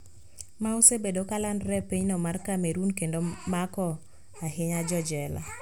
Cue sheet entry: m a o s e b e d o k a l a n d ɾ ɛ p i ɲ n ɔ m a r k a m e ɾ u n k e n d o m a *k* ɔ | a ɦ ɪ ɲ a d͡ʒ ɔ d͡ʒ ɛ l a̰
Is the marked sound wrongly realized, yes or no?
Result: no